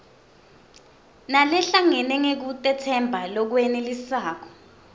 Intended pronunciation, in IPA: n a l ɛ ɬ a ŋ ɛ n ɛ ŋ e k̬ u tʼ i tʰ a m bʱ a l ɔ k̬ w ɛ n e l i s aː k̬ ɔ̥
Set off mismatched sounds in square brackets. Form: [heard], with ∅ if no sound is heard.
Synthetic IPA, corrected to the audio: n a l ɛ ɬ a ŋ ɛ n ɛ ŋ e k̬ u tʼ [ɛ] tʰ [ɛ] m bʱ a l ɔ k̬ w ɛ n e l i s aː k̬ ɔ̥